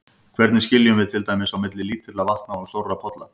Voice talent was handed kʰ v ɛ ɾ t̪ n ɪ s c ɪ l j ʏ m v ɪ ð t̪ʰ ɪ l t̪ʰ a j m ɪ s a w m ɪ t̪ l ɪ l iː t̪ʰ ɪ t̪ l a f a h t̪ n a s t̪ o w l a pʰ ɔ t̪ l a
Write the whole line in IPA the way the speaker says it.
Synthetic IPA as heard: kʰ v ɛ ɾ t̪ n ɪ s c ɪ l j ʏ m v ɪ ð t̪ʰ ɪ l t̪ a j m ɪ s a w m ɪ t̪ l ɪ l iː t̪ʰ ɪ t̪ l a v a h t̪ n a s t̪ o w r a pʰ ɔ t̪ l a